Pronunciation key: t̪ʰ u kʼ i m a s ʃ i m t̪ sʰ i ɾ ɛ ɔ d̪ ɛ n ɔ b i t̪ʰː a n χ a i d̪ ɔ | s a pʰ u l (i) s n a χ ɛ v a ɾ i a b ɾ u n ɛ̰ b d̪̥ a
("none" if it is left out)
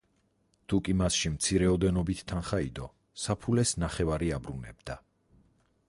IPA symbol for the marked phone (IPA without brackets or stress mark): ɛ